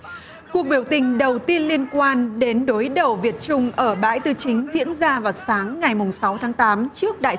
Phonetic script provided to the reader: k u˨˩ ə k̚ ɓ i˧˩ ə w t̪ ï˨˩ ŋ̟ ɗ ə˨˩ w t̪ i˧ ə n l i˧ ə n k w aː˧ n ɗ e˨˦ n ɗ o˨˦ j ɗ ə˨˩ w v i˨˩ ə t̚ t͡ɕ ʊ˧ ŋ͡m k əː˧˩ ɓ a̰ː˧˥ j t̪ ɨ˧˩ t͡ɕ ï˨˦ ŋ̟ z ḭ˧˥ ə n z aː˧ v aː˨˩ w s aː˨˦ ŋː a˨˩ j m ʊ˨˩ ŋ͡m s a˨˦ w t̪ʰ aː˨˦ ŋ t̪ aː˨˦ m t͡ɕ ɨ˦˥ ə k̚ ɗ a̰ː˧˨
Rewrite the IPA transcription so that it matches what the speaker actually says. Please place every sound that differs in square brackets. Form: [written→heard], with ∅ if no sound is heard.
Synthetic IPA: k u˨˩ ə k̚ ɓ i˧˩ ə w t̪ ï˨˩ ŋ̟ ɗ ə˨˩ w t̪ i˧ ə n l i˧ ə n k w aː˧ n ɗ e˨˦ n ɗ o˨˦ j ɗ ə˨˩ w v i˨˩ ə t̚ t͡ɕ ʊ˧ ŋ͡m [k→ʔ] əː˧˩ ɓ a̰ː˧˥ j t̪ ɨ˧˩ t͡ɕ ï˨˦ ŋ̟ z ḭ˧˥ ə n z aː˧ v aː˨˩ w s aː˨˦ ŋː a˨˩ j m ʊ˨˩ ŋ͡m s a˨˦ w t̪ʰ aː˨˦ ŋ t̪ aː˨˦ m t͡ɕ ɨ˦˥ ə k̚ ɗ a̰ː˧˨